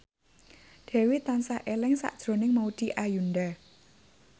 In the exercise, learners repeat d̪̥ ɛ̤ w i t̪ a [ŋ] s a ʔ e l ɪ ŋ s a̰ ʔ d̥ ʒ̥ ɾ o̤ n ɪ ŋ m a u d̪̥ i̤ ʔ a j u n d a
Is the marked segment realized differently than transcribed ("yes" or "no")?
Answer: yes